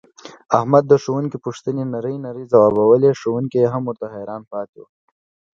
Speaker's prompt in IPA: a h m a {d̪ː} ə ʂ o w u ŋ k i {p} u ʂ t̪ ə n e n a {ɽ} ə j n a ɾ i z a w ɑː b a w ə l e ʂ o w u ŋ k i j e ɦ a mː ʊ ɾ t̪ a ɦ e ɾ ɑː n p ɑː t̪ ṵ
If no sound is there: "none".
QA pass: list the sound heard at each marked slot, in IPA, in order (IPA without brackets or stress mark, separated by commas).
d̪ː, p, ɾ